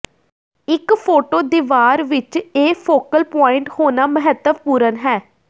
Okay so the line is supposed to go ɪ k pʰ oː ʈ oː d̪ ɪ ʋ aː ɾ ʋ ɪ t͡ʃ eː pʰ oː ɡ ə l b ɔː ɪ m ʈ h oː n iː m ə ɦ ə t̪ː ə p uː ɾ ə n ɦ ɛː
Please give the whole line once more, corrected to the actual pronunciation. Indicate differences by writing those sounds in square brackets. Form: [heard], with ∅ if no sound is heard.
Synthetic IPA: ɪ k pʰ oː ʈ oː d̪ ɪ ʋ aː ɾ ʋ ɪ t͡ʃ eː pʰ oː [k] ə l [p] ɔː ɪ [ɳ] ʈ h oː n [aː] m ə ɦ ə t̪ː ə p uː ɾ ə n ɦ ɛː